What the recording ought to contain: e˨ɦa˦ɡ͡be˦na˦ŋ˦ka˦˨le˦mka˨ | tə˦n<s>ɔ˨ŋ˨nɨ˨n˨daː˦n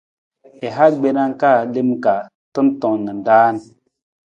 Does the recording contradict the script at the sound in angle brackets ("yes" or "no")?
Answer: yes